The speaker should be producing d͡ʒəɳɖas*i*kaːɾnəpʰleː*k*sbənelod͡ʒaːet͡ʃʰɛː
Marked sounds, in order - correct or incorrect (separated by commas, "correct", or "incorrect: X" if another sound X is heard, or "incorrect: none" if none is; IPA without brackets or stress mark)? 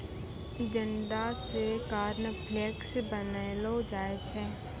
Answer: incorrect: e, correct